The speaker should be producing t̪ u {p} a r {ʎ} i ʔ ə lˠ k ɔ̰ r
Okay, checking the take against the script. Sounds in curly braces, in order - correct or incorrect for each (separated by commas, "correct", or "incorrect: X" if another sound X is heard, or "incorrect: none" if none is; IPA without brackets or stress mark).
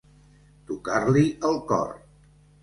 incorrect: k, incorrect: l